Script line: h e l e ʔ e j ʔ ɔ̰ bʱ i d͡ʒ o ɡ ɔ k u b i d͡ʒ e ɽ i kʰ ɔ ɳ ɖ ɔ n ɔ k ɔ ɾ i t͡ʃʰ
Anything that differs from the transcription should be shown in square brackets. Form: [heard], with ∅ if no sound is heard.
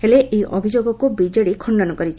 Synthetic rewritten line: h e l e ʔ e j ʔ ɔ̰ bʱ i d͡ʒ o ɡ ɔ k u b i d͡ʒ e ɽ i kʰ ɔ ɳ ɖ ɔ n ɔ k ɔ ɾ i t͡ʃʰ